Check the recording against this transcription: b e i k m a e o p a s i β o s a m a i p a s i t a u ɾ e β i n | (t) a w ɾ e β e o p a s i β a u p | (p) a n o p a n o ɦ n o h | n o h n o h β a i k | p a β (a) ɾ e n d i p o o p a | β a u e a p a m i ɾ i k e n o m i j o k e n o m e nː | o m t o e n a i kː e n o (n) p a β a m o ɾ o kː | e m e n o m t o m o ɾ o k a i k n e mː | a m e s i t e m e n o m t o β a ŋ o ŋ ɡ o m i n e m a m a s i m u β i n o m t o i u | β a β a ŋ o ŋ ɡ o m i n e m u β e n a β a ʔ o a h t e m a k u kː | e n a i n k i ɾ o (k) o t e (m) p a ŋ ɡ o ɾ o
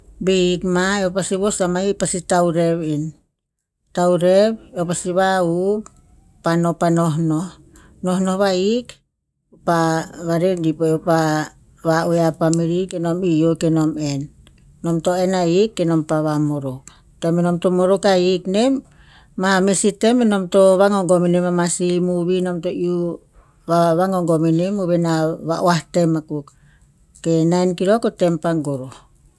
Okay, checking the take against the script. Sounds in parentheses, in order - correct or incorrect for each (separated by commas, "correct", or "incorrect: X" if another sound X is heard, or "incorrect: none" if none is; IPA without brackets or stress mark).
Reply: correct, correct, correct, incorrect: m, correct, correct